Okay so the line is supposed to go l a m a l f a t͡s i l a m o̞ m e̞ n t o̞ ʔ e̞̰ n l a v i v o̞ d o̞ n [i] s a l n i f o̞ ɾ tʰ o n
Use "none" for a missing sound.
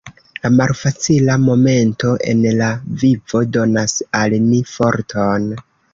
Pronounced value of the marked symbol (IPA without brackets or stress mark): a